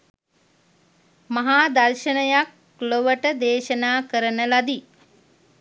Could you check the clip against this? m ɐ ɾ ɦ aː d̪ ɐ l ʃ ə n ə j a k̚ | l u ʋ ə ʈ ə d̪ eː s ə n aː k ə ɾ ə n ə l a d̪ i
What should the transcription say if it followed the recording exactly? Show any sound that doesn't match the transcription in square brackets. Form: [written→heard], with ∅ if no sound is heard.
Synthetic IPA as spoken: m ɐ [ɾ→∅] ɦ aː d̪ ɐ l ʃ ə n ə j a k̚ | l [u→o] ʋ ə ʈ ə d̪ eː [s→ʃ] ə n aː k ə ɾ ə n ə l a d̪ i